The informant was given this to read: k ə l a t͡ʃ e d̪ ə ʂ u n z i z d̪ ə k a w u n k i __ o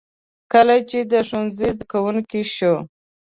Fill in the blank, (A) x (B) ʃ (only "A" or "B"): B